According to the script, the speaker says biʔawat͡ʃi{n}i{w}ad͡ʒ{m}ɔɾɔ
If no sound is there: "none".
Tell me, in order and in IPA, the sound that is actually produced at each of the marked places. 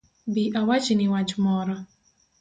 n, w, m

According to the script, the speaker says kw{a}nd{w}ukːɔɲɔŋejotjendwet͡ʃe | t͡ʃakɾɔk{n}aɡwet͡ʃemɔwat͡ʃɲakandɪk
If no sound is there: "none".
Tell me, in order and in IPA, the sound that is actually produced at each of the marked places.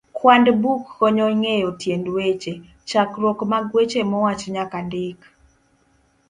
a, b, m

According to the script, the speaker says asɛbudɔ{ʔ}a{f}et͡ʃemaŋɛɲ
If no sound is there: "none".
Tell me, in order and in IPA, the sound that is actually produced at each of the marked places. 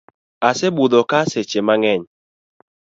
k, s

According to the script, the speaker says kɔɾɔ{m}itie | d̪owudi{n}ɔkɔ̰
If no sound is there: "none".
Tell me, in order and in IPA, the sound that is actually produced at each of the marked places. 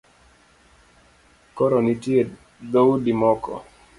n, m

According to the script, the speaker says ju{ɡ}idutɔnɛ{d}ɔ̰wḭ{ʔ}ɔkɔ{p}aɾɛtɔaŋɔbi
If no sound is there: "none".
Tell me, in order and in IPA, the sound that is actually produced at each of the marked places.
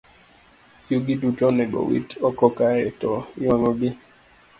ɡ, ɡ, t, k

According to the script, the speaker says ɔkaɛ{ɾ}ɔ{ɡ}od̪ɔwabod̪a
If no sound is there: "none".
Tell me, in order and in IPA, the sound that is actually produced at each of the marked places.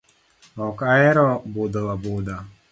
ɾ, b

